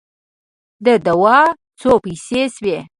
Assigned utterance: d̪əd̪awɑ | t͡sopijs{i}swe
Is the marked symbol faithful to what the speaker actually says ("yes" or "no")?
no